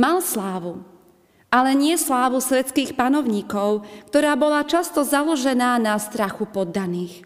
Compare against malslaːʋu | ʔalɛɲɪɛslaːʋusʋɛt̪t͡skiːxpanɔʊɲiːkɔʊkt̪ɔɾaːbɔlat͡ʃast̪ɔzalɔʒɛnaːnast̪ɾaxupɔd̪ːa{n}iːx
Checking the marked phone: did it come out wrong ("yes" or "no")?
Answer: no